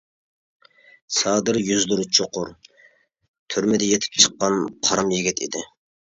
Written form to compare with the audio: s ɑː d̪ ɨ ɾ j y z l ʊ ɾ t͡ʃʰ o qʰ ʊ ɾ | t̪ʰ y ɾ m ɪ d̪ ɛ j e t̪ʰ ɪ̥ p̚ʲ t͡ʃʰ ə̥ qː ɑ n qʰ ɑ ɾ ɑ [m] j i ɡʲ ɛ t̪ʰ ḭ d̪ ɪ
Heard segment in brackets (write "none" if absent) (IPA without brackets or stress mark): m